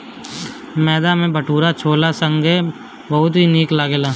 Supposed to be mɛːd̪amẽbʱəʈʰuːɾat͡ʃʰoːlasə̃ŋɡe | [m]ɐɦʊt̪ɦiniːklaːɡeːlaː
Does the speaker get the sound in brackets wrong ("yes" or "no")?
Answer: yes